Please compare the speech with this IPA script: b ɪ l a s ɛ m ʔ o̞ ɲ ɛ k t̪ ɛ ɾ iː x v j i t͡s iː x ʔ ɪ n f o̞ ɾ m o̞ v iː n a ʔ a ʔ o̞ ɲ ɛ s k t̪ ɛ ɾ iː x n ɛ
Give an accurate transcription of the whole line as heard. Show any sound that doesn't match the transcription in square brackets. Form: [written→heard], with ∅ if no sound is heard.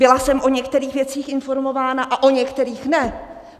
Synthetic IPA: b ɪ l a s ɛ m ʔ o̞ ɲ ɛ k t̪ ɛ ɾ iː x v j [i→ɛ] t͡s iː x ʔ ɪ n f o̞ ɾ m o̞ v [iː→aː] n a ʔ a ʔ o̞ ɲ ɛ [s→∅] k t̪ ɛ ɾ iː x n ɛ